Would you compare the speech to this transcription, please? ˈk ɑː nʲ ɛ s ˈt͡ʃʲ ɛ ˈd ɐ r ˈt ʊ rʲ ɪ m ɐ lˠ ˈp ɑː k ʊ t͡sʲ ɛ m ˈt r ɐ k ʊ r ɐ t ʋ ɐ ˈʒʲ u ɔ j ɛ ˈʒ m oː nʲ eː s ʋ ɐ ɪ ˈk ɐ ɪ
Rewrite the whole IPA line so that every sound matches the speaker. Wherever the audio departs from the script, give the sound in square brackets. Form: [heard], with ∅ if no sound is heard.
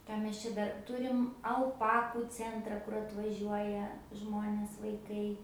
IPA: ˈk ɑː [mʲ] ɛ s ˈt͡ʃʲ ɛ ˈd ɐ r ˈt ʊ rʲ ɪ m ɐ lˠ ˈp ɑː k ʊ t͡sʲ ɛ [n] ˈt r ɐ k ʊ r ɐ t ʋ ɐ ˈʒʲ u ɔ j ɛ ˈʒ m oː nʲ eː s ʋ ɐ ɪ ˈk ɐ ɪ